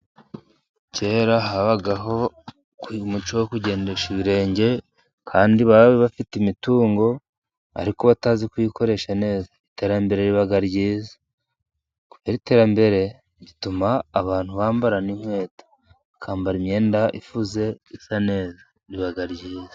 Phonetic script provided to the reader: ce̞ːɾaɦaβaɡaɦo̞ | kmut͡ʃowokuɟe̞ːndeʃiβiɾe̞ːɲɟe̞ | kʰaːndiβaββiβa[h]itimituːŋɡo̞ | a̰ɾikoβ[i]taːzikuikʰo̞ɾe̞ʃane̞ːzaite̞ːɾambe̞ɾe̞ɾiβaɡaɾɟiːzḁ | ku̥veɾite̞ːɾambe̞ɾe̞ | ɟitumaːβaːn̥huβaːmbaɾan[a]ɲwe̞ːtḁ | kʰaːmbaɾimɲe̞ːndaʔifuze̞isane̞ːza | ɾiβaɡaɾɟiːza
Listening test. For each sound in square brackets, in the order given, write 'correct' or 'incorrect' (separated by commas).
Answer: incorrect, incorrect, incorrect